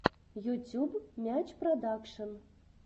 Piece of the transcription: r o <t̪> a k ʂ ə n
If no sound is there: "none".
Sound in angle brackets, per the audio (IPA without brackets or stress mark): d̪